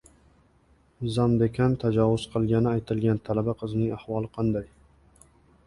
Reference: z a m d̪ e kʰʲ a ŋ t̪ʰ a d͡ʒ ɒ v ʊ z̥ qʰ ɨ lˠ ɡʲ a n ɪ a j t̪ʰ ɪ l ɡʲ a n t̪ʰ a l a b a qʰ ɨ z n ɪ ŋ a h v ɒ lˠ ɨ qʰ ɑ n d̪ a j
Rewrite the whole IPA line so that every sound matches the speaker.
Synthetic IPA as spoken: z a m d̪ e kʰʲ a n t̪ʰ a d͡ʒ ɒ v ʊ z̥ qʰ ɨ lˠ ɡʲ a n ɪ a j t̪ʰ ɪ l ɡʲ a n t̪ʰ a l a b a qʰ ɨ z n ɪ ŋ a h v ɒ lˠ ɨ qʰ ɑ n d̪ a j